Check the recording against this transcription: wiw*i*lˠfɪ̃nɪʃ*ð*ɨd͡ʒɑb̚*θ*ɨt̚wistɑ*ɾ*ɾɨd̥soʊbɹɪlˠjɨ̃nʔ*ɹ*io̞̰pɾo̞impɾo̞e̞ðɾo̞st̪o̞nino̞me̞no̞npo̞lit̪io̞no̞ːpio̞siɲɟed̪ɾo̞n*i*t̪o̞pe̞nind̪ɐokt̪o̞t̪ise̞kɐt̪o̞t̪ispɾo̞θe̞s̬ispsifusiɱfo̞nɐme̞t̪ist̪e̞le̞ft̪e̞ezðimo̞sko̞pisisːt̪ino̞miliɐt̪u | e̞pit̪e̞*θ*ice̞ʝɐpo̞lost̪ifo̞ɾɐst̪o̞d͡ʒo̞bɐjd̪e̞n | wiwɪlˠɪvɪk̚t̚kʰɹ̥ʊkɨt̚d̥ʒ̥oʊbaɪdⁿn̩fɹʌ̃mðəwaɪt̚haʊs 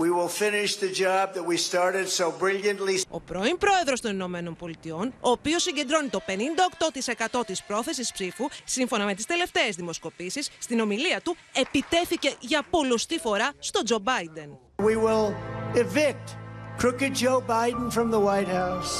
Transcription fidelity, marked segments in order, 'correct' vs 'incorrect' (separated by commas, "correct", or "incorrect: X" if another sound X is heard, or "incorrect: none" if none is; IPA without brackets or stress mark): incorrect: ɪ, correct, incorrect: ð, incorrect: ɹ, incorrect: l, correct, correct